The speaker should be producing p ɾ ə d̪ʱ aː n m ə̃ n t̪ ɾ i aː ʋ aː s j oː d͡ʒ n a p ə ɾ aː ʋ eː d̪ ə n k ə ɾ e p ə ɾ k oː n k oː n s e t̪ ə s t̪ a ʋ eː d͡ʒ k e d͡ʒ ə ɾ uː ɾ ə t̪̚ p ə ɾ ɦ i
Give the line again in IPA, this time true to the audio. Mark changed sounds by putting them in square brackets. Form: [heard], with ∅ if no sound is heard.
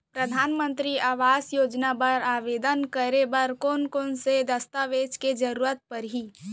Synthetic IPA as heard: p ɾ ə d̪ʱ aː n m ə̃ n t̪ ɾ i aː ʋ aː s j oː d͡ʒ n a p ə ɾ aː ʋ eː d̪ ə n k ə ɾ e [b] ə ɾ k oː n k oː n s e [d̪] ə s t̪ a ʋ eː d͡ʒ k e d͡ʒ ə ɾ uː ɾ ə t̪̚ p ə ɾ ɦ i